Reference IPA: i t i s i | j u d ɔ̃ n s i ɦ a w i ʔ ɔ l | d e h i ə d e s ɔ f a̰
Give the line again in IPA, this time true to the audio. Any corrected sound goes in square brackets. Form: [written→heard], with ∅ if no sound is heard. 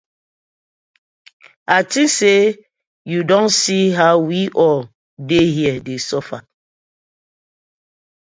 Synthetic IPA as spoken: [i→a] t i s [i→e] | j u d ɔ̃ n s i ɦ a w i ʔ ɔ l | d e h i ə d e s ɔ f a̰